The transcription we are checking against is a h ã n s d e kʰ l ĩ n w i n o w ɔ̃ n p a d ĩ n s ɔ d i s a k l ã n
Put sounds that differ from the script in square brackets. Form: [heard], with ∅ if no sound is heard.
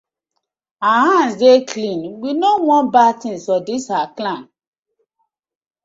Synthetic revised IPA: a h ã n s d e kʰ l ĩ n w i n o w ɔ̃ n [b] a [t] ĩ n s ɔ d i s a k l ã n